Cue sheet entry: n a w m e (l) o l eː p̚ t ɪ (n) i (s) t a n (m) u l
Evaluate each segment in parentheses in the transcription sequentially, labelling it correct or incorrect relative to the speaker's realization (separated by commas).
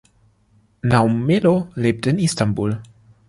correct, correct, correct, incorrect